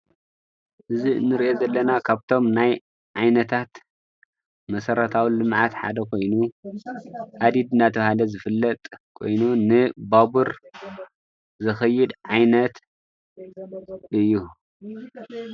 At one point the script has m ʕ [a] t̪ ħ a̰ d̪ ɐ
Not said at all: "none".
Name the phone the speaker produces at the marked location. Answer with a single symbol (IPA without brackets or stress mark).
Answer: a